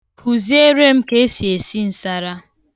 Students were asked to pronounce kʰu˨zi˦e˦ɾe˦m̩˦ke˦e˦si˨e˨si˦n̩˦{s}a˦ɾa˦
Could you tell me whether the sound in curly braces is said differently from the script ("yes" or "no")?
no